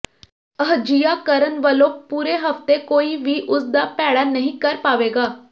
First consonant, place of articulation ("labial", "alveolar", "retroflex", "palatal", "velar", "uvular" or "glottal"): glottal